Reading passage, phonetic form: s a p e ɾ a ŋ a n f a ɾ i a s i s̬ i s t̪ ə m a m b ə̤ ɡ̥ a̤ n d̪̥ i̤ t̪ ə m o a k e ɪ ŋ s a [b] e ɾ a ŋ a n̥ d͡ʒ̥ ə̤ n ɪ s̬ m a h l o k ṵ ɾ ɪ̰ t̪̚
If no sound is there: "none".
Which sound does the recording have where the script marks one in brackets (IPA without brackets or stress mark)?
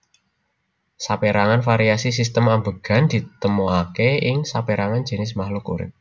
p